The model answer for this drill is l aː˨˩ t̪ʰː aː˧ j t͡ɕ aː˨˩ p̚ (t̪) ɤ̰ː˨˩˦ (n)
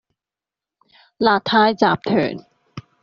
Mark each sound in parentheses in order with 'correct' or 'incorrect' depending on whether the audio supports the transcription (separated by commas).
incorrect, correct